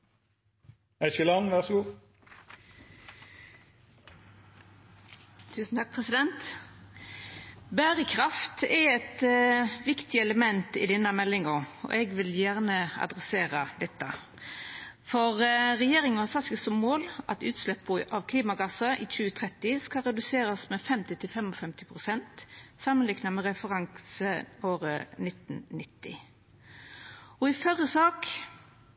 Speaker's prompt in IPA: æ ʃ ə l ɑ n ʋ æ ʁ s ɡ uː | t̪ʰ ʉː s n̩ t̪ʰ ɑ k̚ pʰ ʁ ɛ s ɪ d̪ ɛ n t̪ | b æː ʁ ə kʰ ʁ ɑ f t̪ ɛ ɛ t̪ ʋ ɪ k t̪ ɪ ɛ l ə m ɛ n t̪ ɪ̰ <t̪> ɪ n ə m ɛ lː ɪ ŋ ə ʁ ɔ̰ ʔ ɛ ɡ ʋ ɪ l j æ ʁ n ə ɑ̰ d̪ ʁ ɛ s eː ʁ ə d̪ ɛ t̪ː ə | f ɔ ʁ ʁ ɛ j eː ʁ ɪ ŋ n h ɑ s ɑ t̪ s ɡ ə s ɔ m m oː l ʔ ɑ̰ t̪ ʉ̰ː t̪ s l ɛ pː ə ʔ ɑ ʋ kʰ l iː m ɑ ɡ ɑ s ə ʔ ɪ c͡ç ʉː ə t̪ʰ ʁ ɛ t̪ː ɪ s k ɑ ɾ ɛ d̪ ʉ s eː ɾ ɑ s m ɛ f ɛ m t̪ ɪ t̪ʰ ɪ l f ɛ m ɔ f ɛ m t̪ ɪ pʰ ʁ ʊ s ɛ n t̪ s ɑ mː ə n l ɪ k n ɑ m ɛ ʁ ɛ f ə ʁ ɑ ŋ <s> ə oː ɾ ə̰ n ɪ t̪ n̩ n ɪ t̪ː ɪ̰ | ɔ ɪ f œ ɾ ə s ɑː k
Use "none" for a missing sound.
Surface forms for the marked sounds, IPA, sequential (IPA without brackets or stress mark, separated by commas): d̪, s